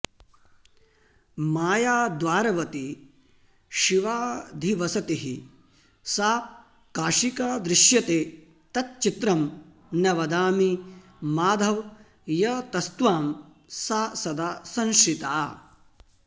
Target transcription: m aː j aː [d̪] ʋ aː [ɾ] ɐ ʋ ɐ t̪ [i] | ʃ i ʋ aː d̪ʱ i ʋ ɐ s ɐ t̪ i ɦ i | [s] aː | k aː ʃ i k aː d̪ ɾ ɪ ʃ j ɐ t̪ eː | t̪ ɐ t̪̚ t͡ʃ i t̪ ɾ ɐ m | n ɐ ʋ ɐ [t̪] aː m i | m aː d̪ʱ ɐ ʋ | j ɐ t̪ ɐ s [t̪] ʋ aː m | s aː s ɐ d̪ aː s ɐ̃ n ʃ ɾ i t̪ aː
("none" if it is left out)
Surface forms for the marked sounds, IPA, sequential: d̪, ɾ, i, s, d̪, t̪

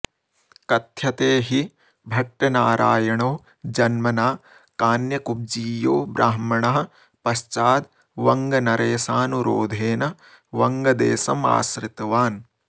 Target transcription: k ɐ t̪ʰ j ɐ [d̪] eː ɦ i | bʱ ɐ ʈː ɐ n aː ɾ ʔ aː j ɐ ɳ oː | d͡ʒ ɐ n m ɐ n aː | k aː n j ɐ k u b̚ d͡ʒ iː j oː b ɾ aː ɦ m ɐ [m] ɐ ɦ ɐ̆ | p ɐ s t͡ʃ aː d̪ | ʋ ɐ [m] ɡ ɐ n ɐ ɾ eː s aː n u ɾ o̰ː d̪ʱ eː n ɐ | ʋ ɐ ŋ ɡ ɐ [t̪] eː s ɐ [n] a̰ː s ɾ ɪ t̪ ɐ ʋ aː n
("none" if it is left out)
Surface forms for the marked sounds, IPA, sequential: t̪, ɳ, ŋ, d̪, m

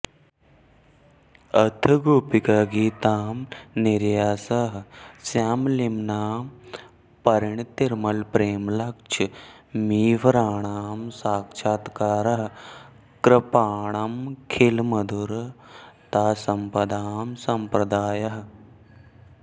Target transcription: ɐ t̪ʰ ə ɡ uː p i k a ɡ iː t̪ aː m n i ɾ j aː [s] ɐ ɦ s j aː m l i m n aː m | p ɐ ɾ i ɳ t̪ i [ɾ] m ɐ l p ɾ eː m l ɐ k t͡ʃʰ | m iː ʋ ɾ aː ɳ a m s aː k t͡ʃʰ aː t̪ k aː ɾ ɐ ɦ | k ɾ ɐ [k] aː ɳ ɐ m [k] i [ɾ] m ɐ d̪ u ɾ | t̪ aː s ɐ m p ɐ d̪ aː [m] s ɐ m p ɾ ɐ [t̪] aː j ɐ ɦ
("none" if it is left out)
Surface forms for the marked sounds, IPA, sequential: s, ɾ, p, kʰ, l, m, d̪

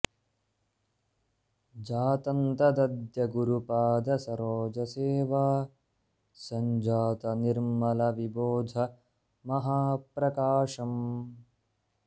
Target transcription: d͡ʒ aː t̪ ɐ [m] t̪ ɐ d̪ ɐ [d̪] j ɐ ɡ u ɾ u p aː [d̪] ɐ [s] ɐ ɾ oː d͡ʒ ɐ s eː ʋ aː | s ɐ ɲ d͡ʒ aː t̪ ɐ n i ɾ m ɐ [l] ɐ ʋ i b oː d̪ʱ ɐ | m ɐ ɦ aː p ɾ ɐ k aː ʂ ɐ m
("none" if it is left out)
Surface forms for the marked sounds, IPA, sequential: n, d̪, d̪, s, l

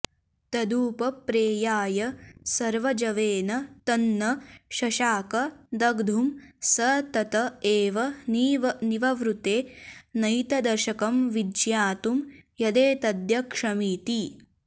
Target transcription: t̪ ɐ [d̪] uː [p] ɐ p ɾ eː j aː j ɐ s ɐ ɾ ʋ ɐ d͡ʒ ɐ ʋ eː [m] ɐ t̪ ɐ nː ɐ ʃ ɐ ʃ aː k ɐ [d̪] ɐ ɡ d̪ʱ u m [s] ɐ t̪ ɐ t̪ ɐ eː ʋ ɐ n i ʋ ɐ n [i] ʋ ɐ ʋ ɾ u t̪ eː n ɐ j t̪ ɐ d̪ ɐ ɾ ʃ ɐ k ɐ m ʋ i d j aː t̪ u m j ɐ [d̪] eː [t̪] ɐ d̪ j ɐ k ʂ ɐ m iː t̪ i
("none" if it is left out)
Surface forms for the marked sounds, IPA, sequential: d̪, p, n, d̪, s, i, d̪, t̪

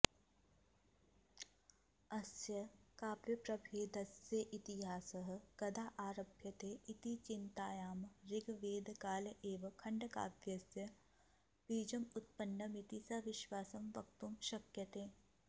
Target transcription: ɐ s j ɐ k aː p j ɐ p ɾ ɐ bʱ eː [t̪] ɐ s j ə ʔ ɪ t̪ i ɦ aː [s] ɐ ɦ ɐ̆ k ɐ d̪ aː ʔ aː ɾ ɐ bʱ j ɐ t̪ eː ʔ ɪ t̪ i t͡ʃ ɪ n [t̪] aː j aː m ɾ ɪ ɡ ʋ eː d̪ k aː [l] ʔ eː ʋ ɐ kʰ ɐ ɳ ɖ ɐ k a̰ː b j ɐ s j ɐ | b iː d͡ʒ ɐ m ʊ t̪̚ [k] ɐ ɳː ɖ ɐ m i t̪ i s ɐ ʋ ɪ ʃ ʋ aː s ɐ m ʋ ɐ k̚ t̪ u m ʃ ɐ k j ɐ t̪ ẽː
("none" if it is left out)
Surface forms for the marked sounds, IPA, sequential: d̪, s, t̪, l, p

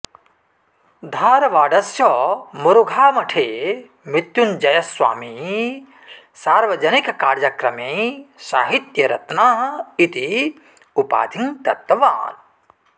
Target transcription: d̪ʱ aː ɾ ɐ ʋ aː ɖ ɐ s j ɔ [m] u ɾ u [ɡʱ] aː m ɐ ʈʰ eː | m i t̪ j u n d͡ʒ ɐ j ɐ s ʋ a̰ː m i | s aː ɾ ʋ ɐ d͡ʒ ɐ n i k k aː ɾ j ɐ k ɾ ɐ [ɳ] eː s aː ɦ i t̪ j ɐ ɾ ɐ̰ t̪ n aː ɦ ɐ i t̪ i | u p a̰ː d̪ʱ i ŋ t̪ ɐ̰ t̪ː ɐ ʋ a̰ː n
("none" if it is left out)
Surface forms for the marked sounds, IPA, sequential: m, ɡʱ, m

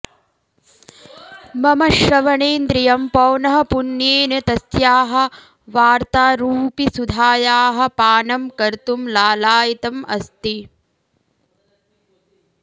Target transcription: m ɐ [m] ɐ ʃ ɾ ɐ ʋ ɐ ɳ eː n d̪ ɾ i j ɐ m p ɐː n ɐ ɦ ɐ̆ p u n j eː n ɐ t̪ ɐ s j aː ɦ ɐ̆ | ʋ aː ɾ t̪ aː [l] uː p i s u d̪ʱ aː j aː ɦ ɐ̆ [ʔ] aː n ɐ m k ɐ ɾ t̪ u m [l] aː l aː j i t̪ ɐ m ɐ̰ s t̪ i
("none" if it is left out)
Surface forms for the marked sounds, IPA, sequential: m, ɾ, p, l

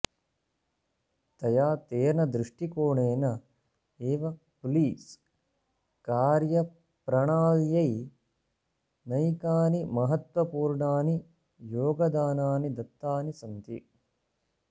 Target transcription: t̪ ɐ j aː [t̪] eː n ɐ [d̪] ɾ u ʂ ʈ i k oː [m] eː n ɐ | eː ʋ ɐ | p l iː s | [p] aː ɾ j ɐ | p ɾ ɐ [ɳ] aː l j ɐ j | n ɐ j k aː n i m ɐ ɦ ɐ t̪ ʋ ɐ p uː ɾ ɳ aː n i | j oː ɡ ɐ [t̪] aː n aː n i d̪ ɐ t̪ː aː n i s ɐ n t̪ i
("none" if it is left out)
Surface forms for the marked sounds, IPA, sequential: t̪, d̪, ɳ, k, ɳ, d̪

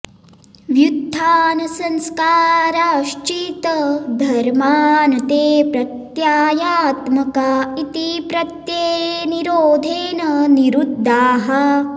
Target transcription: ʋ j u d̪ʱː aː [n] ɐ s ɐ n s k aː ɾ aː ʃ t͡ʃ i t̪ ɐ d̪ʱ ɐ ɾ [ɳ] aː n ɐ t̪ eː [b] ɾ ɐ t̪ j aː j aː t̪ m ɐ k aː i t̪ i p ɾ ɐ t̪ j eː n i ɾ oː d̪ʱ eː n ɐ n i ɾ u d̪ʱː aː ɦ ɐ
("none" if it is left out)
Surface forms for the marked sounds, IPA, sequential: n, m, p

